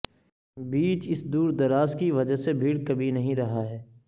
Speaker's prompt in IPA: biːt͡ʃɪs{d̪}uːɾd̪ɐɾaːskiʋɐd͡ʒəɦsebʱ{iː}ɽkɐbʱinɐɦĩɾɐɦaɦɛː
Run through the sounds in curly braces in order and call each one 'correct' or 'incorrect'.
correct, correct

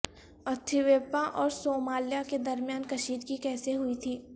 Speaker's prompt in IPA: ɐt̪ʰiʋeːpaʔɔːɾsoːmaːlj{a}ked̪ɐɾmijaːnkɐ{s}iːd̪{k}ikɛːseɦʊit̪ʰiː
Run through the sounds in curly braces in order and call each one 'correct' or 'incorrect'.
correct, incorrect: ʃ, correct

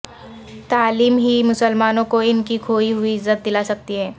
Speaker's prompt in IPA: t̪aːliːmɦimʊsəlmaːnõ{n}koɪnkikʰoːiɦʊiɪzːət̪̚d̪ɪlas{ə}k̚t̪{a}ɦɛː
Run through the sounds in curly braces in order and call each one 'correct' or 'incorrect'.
incorrect: none, incorrect: ɐ, incorrect: i

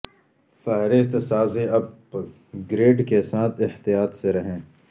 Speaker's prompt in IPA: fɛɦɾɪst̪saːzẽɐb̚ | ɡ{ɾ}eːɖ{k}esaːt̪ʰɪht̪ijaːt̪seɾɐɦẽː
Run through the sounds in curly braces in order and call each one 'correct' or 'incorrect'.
correct, correct

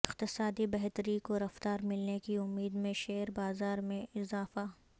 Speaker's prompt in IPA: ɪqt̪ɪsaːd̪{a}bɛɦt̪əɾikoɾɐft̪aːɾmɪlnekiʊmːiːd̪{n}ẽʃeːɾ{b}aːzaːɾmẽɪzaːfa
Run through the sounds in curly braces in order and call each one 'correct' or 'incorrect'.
incorrect: i, incorrect: m, correct

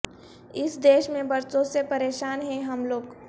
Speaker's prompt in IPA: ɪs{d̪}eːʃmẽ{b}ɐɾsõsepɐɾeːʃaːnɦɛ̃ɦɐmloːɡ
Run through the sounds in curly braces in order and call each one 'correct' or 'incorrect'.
correct, correct

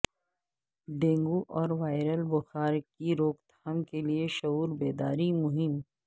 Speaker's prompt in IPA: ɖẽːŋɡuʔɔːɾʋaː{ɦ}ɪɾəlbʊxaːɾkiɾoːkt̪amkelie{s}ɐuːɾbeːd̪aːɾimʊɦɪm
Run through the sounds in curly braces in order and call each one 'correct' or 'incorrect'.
incorrect: none, incorrect: ʃ

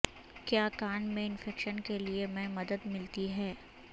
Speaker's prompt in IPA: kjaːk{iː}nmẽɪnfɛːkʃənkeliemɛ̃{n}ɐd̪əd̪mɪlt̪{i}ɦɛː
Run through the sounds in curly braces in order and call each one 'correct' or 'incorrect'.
incorrect: aː, incorrect: m, correct

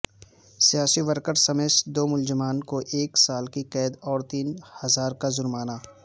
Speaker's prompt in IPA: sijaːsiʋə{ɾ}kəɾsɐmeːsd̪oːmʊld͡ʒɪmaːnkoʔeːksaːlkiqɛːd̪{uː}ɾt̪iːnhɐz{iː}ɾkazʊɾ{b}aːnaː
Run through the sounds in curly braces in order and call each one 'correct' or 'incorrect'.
correct, incorrect: ɔː, incorrect: aː, incorrect: m

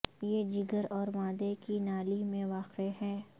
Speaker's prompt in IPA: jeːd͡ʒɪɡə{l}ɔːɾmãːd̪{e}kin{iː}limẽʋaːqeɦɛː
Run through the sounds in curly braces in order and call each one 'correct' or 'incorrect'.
incorrect: ɾ, correct, incorrect: aː

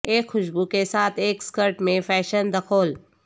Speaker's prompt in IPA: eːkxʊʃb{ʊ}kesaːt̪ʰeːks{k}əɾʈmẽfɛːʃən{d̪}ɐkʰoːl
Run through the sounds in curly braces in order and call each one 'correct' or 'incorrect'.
incorrect: u, correct, correct

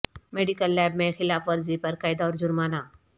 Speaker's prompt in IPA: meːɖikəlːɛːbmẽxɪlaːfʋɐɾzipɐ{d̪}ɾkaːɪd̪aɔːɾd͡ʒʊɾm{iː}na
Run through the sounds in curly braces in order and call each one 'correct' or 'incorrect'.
incorrect: none, incorrect: aː

